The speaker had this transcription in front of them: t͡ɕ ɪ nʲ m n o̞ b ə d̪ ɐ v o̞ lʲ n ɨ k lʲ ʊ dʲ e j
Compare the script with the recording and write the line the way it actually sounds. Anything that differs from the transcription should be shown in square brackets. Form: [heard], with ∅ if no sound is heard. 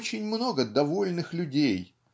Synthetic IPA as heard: t͡ɕ ɪ nʲ m n o̞ [ɡ] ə d̪ ɐ v o̞ lʲ n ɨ [x] lʲ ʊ dʲ e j